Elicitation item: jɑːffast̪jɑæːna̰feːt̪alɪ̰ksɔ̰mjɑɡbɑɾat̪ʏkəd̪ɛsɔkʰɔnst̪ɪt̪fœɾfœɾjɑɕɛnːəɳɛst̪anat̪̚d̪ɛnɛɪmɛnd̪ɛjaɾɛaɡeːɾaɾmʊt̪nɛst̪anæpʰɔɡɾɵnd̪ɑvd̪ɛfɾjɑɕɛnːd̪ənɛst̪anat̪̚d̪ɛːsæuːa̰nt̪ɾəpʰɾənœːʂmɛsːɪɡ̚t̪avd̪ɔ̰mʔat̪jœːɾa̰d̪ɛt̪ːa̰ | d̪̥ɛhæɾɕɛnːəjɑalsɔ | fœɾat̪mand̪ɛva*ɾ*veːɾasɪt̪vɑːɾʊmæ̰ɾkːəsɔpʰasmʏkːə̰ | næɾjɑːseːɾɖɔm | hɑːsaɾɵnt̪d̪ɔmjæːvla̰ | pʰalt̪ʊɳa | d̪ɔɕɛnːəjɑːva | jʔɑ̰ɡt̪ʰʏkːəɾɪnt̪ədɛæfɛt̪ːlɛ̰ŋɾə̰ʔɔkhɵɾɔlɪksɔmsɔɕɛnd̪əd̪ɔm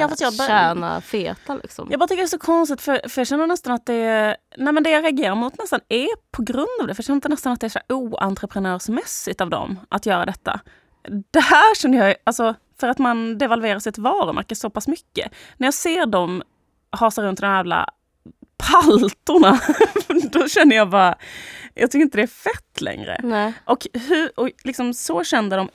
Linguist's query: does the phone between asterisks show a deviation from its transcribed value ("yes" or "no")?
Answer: yes